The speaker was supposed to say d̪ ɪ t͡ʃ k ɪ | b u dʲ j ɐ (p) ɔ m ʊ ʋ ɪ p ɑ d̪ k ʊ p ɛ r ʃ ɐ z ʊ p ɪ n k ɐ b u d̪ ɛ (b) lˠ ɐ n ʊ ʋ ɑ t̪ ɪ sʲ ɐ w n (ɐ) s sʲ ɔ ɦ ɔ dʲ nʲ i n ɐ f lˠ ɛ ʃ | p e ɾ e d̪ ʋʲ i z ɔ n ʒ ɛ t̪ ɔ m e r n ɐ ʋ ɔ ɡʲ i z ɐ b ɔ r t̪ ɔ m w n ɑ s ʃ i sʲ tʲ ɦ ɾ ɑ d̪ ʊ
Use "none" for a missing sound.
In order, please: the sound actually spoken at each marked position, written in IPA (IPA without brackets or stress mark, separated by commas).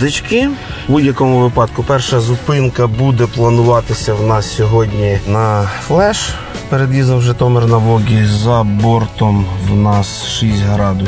k, p, ɑ